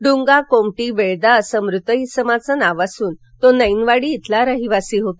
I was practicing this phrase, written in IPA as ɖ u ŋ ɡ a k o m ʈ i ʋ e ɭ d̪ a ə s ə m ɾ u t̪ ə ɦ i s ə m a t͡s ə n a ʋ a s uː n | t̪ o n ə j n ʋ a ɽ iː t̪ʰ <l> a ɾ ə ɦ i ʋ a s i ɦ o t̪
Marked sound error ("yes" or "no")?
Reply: no